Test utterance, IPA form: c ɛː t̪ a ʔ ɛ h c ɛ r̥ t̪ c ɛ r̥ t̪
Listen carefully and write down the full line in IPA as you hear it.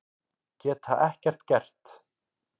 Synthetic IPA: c ɛː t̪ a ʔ ɛ h c ɛ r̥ t̪ c ɛ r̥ t̪